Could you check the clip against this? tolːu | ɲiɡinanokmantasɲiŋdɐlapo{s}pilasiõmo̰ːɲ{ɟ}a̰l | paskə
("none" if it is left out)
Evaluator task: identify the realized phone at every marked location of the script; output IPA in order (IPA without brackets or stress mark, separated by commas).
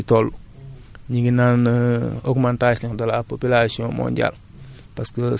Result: none, ɟ